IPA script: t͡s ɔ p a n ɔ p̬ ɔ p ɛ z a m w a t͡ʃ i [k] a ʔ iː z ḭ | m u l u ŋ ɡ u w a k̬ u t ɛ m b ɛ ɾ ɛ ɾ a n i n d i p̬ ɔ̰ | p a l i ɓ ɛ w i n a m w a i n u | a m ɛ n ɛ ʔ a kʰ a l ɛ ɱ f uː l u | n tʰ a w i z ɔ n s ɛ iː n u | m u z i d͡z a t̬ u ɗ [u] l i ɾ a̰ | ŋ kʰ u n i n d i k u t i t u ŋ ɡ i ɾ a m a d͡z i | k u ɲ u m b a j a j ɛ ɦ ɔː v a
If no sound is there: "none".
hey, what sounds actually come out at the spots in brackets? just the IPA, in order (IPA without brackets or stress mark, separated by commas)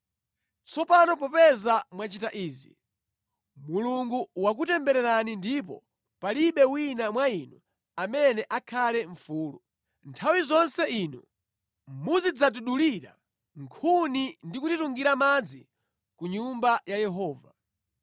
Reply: t, u